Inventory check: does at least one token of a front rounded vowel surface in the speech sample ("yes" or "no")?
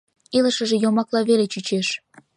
yes